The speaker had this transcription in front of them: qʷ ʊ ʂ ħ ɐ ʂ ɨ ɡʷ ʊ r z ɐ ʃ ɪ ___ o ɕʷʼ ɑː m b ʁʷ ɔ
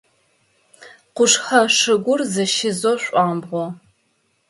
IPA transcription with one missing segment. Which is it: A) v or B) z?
B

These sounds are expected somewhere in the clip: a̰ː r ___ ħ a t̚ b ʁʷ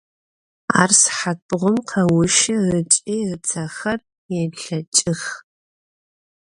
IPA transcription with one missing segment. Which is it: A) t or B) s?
B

